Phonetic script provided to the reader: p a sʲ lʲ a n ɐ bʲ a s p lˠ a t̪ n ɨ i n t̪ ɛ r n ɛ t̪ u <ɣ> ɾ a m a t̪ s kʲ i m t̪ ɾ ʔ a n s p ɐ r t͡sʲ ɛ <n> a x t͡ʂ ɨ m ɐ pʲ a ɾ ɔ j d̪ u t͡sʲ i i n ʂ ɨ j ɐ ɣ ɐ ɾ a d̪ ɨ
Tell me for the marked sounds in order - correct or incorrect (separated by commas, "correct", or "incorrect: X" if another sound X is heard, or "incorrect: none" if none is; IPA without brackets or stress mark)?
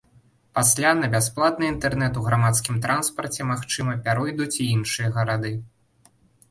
correct, incorrect: m